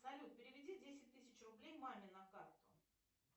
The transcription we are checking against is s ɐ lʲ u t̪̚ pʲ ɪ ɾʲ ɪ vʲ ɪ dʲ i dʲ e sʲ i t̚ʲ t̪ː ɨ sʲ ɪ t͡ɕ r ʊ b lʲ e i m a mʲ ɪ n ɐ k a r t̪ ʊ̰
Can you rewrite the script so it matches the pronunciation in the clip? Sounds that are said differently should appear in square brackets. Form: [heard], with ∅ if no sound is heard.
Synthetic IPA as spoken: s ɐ lʲ u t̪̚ pʲ ɪ ɾʲ ɪ vʲ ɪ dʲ i dʲ e sʲ [ɪ] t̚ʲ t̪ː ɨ sʲ ɪ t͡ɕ r ʊ b lʲ e [j] m a mʲ ɪ n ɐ k a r t̪ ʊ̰